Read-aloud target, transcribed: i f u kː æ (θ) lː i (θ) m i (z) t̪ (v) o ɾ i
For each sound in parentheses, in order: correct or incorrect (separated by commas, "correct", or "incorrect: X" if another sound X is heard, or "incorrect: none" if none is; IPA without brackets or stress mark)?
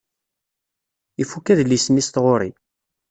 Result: incorrect: ð, incorrect: s, incorrect: s, incorrect: ʁ